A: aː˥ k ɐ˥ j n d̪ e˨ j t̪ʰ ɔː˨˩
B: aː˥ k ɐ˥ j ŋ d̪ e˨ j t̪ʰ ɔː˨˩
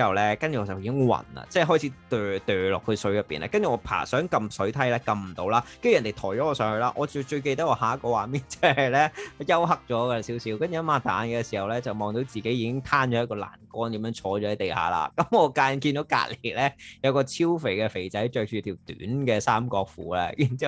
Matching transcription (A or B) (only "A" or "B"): A